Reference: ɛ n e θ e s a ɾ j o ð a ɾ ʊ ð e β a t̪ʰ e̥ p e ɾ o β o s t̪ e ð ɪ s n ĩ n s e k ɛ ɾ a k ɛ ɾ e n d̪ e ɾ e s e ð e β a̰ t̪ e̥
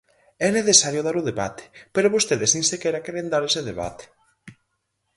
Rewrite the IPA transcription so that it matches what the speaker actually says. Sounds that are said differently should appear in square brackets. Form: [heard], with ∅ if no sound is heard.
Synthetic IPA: ɛ n e θ e s a ɾ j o ð a ɾ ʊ ð e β a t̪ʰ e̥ p e ɾ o β o s t̪ e ð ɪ s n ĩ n s e k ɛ ɾ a k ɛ ɾ e n d̪ [a] ɾ e s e ð e β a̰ t̪ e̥